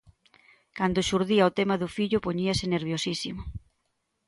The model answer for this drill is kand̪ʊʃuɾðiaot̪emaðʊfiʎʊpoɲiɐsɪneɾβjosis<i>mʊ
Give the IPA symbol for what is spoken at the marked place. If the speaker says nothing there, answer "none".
i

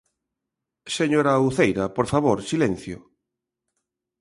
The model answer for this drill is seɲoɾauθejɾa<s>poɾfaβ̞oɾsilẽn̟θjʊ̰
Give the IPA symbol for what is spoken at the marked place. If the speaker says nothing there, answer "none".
none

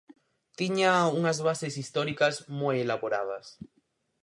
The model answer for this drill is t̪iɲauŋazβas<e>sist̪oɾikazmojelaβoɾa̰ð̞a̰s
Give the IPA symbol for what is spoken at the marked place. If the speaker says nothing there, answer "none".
e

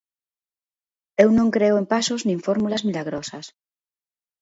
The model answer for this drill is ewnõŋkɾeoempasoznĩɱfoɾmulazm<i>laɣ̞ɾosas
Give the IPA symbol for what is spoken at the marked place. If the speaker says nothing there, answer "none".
i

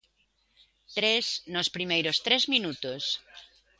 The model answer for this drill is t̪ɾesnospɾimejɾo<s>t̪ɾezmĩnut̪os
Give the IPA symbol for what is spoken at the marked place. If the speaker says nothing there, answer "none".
s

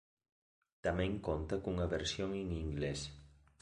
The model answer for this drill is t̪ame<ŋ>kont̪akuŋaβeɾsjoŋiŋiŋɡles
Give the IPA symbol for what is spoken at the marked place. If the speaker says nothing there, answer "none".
ŋ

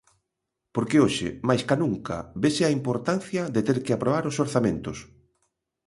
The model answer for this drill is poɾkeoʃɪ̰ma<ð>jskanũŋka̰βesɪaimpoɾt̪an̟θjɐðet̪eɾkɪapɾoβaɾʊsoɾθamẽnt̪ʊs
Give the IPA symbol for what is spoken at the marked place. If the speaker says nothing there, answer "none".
none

